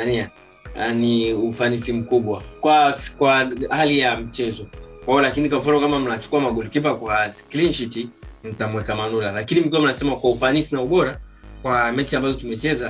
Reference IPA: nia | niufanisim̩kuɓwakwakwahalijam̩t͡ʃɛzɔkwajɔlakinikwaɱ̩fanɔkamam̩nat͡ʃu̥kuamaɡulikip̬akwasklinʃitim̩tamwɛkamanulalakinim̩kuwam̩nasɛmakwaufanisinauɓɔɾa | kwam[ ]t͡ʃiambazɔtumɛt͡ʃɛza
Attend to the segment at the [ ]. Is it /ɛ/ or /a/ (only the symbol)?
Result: ɛ